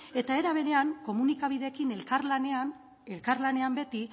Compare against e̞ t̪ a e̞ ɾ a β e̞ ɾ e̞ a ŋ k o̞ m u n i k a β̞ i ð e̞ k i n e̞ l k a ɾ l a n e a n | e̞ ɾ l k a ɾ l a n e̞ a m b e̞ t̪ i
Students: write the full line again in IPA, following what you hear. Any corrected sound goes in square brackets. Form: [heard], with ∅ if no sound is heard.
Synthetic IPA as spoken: e̞ t̪ a e̞ ɾ a β e̞ ɾ e̞ a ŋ k o̞ m u n i k a β̞ i ð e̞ k i n e̞ l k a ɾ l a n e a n | e̞ [∅] l k a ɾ l a n e̞ a m b e̞ t̪ i